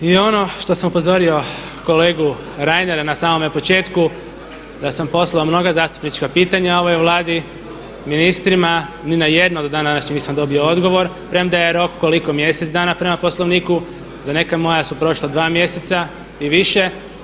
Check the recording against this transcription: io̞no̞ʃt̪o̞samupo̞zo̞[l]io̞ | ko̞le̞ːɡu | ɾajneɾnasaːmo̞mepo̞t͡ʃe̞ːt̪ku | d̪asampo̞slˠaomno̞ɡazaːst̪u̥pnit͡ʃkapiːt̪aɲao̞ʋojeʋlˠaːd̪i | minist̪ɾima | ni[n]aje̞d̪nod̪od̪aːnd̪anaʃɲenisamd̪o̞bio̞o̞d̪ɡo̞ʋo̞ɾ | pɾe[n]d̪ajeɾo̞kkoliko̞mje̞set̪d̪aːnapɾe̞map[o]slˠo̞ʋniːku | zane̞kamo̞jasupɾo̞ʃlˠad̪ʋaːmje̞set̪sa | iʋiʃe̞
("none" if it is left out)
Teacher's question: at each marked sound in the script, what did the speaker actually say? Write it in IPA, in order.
ɾ, n, m, o

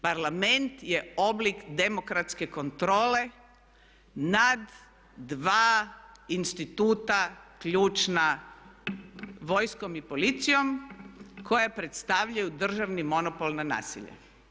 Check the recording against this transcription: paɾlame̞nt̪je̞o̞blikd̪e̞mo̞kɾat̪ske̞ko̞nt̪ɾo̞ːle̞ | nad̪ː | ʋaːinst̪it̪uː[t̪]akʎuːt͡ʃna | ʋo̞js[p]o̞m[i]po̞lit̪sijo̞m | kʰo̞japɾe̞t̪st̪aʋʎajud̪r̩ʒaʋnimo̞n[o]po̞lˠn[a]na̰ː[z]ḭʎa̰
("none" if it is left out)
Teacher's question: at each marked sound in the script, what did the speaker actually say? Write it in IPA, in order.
t̪, k, i, o, a, s

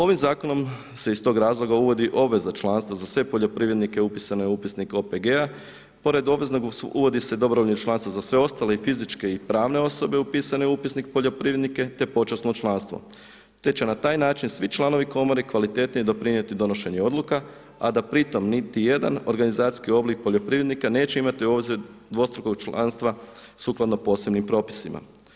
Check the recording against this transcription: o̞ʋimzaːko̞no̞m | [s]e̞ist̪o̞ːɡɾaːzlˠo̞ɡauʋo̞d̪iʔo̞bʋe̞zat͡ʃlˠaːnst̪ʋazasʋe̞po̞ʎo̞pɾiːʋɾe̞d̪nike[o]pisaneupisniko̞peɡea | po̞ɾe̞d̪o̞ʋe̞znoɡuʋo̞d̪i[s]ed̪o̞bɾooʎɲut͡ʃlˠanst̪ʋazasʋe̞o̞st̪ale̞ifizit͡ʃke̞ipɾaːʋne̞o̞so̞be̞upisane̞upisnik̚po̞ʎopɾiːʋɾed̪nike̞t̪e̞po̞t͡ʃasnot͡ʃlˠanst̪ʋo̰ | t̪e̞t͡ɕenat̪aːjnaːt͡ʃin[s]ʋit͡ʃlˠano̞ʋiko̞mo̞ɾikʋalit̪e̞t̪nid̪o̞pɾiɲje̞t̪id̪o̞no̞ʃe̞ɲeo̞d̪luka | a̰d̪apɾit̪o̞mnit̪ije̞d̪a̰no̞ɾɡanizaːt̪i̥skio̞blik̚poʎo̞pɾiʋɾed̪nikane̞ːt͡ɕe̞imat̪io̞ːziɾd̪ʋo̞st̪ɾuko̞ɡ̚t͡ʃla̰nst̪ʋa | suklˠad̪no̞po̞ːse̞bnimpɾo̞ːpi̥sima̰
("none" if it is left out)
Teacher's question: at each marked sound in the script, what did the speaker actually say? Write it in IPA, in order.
s, u, s, s

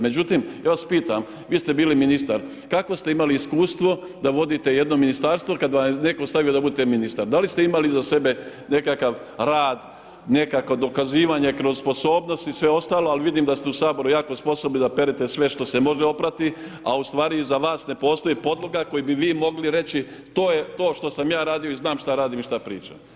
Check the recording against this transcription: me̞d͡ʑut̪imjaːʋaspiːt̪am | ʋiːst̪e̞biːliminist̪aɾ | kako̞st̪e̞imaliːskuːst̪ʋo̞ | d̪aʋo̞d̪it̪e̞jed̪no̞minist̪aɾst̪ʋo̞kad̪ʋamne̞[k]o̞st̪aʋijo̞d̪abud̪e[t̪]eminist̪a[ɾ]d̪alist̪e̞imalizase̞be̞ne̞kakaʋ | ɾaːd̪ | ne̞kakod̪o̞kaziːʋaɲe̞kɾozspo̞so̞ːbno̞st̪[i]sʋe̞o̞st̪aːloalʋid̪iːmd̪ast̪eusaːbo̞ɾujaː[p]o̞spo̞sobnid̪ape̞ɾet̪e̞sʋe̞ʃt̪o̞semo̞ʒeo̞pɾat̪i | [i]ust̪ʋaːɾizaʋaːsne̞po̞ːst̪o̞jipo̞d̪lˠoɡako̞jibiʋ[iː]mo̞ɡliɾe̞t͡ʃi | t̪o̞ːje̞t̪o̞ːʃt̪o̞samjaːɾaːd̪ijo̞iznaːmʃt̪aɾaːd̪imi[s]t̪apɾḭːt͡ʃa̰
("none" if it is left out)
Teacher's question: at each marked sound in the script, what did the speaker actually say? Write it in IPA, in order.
k, t̪, ɾ, i, k, a, iː, ʃ

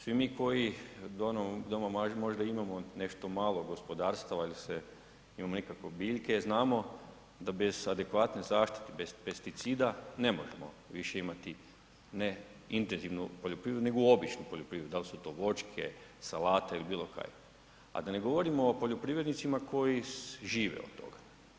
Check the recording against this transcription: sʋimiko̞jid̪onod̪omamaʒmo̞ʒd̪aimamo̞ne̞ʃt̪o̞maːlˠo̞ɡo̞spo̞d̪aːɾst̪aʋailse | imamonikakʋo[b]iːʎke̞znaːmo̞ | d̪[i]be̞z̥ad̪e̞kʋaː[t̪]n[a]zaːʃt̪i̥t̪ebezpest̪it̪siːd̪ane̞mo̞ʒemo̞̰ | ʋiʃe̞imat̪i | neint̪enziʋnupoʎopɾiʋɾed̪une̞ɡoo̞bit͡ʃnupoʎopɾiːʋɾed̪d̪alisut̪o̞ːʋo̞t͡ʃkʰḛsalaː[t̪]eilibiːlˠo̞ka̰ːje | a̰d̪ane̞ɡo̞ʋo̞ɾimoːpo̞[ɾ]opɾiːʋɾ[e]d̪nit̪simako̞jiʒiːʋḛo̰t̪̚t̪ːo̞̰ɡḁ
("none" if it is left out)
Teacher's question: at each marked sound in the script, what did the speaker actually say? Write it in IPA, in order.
b, a, t̪, e, t̪, ʎ, e

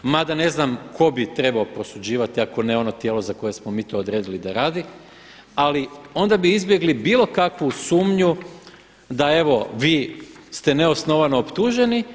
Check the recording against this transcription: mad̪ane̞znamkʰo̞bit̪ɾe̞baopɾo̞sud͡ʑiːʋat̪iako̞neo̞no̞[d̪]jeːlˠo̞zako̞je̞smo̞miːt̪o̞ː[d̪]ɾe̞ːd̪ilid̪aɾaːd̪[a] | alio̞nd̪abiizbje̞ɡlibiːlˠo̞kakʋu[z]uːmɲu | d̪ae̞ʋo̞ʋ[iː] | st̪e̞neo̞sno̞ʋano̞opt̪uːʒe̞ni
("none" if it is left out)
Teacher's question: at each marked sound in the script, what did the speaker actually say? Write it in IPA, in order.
t̪, d̪, i, s, iː

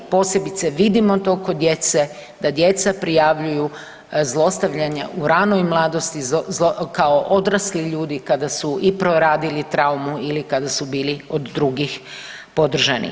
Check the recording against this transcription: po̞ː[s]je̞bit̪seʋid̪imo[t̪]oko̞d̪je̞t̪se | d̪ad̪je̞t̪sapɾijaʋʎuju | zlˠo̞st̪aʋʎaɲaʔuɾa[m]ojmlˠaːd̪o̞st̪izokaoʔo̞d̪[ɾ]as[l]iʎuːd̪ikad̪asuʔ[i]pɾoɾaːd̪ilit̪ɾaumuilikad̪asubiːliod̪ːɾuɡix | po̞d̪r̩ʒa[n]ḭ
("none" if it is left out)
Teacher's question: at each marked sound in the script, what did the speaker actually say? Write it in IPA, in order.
s, t̪, n, ɾ, l, i, n

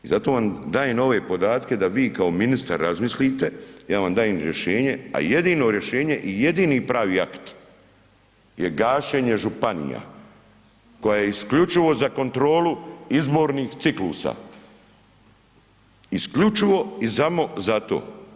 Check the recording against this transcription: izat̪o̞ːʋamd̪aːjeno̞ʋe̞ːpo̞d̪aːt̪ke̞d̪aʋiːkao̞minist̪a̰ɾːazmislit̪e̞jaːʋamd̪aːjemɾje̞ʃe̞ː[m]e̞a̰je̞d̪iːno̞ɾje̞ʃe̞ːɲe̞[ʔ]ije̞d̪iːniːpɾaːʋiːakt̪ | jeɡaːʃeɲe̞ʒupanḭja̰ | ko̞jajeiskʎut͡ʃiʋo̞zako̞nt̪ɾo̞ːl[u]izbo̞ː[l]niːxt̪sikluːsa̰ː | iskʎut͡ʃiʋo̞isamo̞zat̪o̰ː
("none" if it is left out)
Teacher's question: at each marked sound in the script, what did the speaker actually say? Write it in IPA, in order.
ɲ, ʔ, u, ɾ

